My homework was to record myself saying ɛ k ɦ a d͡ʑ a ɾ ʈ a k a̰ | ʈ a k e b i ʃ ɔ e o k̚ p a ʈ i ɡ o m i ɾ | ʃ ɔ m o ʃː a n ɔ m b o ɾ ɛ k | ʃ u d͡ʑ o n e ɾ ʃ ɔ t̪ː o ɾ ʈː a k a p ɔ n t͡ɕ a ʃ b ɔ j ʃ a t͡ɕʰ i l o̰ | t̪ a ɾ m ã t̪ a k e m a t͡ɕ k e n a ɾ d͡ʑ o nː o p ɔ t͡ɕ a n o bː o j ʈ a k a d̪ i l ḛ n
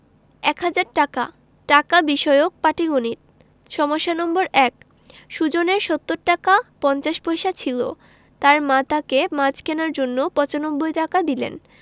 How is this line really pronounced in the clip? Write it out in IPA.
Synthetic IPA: ɛ k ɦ a d͡ʑ a ɾ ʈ a k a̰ | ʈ a k a b i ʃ ɔ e o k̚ p a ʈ i ɡ o n i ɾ | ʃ ɔ m o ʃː a n ɔ m b o ɾ ɛ k | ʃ u d͡ʑ o n e ɾ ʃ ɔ t̪ː o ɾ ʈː a k a p ɔ n t͡ɕ a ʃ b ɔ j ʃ a t͡ɕʰ i l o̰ | t̪ a ɾ m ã t̪ a k e m a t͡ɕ k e n a ɾ d͡ʑ o nː o p ɔ t͡ɕ a n o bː o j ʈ a k a d̪ i l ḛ n

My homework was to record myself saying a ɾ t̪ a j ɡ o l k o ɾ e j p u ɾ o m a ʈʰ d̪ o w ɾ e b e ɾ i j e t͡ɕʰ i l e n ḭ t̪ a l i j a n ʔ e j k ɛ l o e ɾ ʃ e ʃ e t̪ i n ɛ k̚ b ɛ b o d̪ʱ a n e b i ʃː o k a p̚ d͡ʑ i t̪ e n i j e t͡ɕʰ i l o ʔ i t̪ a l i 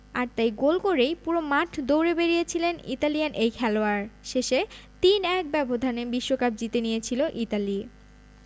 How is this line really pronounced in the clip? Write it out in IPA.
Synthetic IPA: a ɾ t̪ a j ɡ o l k o ɾ e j p u ɾ o m a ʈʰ d̪ o w ɾ e b e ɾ i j e t͡ɕʰ i l e n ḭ t̪ a l i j a n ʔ e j kʰ ɛ l o a ɾ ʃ e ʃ e t̪ i n ɛ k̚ b ɛ b o d̪ʱ a n e b i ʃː o k a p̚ d͡ʑ i t̪ e n i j e t͡ɕʰ i l o ʔ i t̪ a l i

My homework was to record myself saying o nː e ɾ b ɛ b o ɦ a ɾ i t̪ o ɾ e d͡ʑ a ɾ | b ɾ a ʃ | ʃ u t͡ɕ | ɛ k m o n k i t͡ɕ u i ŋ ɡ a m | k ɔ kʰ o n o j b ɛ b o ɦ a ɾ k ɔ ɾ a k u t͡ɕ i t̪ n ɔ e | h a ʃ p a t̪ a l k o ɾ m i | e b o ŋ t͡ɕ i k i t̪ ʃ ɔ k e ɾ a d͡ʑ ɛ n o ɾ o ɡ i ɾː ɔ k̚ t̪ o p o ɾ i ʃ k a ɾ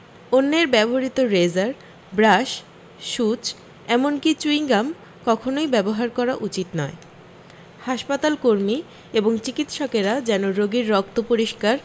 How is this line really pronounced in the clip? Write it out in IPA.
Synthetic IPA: o nː e ɾ b ɛ b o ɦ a ɾ i t̪ o ɾ e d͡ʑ a ɾ | b ɾ a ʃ | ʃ u t͡ɕ | ɛ m o n k i t͡ɕ u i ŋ ɡ a m | k ɔ kʰ o n o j b ɛ b o ɦ a ɾ k ɔ ɾ a ʔ u t͡ɕ i t̪ n ɔ e | h a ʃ p a t̪ a l k o ɾ m i | e b o ŋ t͡ɕ i k i t̪ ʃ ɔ k e ɾ a d͡ʑ ɛ n o ɾ o ɡ i ɾː ɔ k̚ t̪ o p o ɾ i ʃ k a ɾ

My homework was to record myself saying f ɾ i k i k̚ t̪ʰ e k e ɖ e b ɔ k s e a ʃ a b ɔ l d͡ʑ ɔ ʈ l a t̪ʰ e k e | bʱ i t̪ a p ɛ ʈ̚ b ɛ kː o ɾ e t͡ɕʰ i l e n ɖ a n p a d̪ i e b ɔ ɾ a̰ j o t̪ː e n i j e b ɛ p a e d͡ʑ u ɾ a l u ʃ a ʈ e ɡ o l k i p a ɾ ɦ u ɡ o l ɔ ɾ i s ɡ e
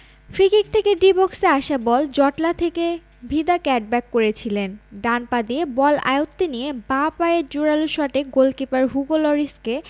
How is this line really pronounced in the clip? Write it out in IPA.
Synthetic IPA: f ɾ i k i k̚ t̪ʰ e k e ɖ i b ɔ k s e a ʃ a b ɔ l d͡ʑ ɔ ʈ l a t̪ʰ e k e | bʱ i d̪ a k ɛ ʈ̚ b ɛ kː o ɾ e t͡ɕʰ i l e n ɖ a n p a d̪ i e b ɔ l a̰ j o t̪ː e n i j e b a p a e d͡ʑ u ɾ a l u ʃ a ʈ e ɡ o l k i p a ɾ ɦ u ɡ o l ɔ ɾ i s k e

